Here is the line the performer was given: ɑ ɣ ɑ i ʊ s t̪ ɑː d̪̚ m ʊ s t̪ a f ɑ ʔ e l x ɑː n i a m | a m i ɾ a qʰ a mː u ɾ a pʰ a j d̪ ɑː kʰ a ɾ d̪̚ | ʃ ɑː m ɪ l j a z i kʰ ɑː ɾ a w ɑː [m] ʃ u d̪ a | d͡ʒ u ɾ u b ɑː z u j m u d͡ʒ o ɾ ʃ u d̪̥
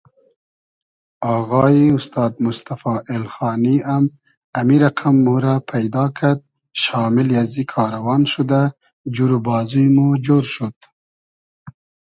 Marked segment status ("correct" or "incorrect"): incorrect